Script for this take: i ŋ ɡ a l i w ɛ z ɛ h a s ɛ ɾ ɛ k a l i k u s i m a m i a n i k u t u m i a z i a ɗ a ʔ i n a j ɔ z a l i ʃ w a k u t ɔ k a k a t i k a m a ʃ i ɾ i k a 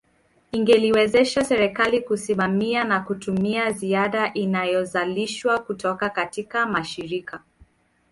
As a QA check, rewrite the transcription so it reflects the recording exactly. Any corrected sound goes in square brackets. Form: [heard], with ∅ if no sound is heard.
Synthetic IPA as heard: i ŋ ɡ [ɛ] l i w ɛ z ɛ [ʃ] a s ɛ ɾ ɛ k a l i k u s i m a m i a n [a] k u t u m i a z i a ɗ a ʔ i n a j ɔ z a l i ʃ w a k u t ɔ k a k a t i k a m a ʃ i ɾ i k a